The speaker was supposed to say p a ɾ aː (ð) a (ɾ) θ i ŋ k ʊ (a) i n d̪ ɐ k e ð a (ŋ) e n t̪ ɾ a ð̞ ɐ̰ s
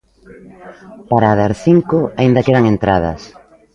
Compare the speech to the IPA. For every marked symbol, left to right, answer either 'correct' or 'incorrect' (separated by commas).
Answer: correct, correct, correct, correct